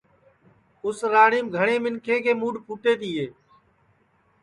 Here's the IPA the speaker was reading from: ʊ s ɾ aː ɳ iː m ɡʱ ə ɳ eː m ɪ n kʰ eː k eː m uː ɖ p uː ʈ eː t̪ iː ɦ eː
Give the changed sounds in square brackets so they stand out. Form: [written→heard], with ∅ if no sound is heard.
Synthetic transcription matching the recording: ʊ s ɾ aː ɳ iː m ɡʱ ə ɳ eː m ɪ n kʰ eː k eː m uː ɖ p uː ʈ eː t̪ iː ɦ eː

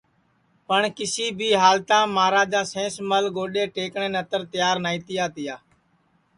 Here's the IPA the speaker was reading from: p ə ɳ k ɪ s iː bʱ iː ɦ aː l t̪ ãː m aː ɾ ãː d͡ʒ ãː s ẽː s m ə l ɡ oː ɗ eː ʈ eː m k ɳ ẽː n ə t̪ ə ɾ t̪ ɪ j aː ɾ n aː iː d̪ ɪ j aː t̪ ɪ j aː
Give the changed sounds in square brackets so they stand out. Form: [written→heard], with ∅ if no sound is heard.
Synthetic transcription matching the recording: p ə ɳ k ɪ s iː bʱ iː ɦ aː l t̪ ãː m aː ɾ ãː d͡ʒ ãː s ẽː s m ə l ɡ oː ɗ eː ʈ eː [m→∅] k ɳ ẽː n ə t̪ ə ɾ t̪ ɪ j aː ɾ n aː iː [d̪→t̪] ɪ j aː t̪ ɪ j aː

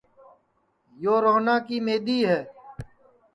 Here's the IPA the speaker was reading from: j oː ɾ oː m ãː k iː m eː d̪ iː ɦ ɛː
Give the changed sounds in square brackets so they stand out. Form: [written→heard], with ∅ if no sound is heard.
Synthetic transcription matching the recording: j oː ɾ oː [m→n] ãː k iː m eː d̪ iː ɦ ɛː

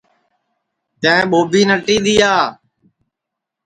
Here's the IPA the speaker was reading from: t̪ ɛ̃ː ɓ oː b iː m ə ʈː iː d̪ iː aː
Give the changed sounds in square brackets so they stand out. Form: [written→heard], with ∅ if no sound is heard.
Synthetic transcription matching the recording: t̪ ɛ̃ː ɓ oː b iː [m→n] ə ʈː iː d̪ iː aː

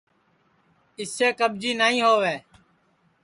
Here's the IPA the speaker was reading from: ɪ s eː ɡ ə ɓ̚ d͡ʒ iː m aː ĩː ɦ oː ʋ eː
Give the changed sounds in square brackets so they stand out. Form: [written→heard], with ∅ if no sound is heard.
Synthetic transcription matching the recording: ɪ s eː [ɡ→k] ə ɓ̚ d͡ʒ iː [m→n] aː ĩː ɦ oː ʋ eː

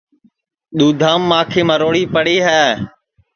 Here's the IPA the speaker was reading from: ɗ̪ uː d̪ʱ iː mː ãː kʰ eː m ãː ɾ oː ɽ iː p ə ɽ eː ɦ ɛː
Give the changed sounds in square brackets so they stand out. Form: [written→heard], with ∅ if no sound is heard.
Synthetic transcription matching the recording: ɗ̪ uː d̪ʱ [iː→aː] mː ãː kʰ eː m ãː ɾ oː ɽ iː p ə ɽ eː ɦ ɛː

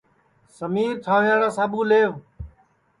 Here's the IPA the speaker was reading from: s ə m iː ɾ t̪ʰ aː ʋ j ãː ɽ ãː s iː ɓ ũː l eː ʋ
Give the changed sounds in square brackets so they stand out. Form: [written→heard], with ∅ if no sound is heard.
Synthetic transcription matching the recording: s ə m iː ɾ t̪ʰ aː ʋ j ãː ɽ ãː s [iː→aː] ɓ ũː l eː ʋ

